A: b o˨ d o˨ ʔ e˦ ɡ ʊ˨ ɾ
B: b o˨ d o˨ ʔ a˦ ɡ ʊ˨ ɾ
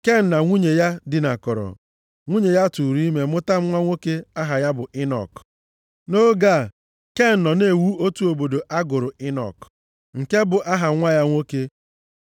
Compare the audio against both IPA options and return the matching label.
B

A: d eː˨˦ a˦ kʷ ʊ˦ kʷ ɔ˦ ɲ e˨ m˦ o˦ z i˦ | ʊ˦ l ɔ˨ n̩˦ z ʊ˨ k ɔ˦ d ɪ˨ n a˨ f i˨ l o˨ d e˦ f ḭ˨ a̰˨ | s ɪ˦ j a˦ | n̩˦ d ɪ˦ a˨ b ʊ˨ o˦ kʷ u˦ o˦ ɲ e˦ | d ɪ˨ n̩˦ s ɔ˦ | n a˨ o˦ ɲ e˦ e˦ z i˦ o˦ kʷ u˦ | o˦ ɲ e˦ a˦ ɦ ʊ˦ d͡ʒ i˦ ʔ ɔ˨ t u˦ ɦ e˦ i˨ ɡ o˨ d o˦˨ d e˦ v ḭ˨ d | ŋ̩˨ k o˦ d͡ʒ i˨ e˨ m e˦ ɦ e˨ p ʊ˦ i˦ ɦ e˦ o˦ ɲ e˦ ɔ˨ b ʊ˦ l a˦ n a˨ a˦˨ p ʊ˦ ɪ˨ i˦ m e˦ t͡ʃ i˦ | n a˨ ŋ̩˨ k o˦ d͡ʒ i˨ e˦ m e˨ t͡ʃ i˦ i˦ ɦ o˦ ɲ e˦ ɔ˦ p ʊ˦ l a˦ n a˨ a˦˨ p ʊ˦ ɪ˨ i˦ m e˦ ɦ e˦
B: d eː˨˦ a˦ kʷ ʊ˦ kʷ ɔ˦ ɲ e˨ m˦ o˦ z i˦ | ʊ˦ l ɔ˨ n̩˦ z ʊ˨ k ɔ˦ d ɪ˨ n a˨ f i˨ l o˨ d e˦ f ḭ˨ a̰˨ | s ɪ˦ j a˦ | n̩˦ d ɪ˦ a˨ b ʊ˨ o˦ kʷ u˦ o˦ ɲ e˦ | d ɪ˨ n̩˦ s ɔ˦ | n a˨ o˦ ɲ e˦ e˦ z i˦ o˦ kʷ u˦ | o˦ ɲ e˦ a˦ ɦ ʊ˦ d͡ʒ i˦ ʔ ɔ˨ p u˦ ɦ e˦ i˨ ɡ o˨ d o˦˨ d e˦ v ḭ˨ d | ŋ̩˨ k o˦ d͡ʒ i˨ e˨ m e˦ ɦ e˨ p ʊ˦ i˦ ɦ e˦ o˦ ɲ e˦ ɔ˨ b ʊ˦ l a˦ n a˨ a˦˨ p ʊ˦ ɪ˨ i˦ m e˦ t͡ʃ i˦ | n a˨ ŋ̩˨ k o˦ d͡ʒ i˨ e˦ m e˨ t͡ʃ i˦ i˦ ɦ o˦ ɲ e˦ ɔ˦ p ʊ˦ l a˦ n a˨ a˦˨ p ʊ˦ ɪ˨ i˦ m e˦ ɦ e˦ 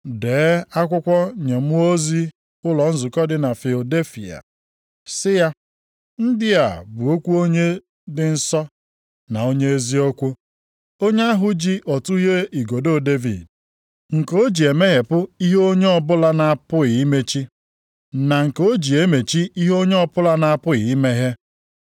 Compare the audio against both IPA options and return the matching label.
A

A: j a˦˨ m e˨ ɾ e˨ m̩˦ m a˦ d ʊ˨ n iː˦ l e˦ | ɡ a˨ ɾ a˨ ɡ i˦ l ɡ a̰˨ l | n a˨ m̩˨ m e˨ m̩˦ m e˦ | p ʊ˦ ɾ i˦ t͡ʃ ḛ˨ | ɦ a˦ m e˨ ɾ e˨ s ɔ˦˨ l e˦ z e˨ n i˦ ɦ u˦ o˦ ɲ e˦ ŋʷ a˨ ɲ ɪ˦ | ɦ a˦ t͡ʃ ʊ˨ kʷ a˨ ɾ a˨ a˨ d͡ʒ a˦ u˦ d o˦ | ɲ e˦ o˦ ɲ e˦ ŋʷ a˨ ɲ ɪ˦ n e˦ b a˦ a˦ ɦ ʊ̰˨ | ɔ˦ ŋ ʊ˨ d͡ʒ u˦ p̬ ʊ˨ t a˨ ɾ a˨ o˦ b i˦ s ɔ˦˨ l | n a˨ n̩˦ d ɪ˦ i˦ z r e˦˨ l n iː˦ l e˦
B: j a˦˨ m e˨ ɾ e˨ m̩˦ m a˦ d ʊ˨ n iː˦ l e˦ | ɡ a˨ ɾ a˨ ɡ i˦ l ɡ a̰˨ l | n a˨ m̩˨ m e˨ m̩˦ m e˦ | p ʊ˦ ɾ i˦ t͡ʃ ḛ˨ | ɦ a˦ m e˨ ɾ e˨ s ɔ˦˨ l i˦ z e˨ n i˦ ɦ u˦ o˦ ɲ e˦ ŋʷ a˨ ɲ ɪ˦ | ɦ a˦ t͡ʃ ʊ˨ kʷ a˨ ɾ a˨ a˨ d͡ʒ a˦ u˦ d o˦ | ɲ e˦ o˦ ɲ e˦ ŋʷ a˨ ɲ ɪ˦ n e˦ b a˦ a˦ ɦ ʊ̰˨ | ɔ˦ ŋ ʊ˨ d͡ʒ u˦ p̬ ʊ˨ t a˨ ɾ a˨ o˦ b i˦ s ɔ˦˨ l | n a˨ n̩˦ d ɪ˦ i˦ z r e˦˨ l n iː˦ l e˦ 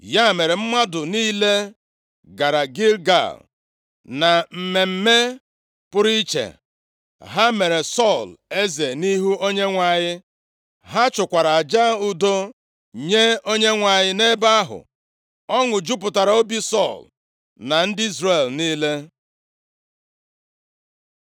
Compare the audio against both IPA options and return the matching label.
A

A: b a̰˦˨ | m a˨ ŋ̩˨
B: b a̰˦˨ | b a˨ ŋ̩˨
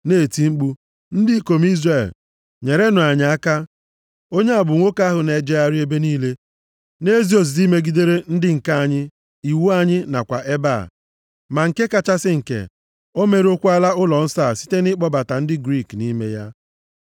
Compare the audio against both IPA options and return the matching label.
A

